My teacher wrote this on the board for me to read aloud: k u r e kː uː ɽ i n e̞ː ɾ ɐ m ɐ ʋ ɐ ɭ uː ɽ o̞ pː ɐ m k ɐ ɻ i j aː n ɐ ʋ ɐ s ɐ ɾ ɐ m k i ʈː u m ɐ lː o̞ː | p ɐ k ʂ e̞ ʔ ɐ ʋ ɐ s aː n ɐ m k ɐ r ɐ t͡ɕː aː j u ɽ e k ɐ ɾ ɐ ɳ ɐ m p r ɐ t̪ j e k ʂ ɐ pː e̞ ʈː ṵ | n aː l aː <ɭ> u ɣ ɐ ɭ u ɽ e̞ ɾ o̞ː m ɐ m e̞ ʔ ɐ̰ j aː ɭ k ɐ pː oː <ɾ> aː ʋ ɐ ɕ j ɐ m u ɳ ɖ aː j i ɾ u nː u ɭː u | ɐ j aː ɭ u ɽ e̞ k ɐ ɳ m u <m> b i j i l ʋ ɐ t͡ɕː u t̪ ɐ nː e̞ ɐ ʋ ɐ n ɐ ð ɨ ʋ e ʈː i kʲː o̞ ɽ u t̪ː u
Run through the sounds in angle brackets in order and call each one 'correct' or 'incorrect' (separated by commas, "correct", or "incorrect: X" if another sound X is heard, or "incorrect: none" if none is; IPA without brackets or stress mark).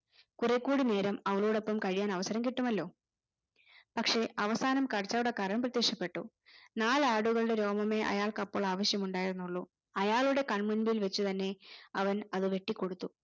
incorrect: ɽ, incorrect: ɭ, incorrect: n